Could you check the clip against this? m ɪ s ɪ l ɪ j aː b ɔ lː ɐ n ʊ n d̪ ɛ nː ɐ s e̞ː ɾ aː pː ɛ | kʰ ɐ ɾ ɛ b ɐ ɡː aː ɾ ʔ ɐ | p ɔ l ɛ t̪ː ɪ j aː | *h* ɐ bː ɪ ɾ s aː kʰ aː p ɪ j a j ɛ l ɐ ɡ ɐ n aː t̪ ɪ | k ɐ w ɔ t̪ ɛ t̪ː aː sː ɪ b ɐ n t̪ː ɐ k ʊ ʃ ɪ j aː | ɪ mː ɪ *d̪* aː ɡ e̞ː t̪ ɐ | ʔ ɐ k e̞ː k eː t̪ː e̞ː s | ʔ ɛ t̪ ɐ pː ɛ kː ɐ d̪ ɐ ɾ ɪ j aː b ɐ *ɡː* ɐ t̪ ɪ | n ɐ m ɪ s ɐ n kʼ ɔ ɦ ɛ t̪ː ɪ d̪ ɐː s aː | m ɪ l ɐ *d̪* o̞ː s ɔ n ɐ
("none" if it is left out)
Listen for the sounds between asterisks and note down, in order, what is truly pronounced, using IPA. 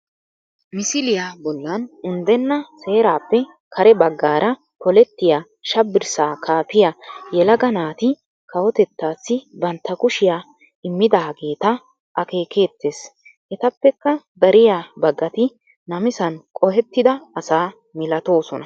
ʃ, d̪, ɡː, t̪

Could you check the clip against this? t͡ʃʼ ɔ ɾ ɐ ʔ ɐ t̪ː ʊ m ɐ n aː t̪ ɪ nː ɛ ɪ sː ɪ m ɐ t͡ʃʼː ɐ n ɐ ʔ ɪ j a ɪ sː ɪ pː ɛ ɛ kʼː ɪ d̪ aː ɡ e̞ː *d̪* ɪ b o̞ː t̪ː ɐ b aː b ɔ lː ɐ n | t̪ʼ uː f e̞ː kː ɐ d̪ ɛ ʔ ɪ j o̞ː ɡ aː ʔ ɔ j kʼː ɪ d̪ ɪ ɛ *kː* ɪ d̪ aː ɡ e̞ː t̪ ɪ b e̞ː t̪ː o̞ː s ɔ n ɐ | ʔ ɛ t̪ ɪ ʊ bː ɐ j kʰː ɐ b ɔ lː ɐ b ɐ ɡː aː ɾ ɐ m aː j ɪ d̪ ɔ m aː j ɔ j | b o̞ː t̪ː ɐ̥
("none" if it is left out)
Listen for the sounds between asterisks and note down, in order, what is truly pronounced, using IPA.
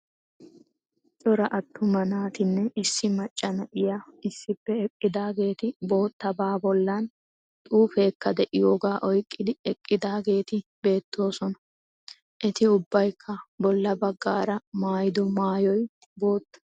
t̪, kʼː

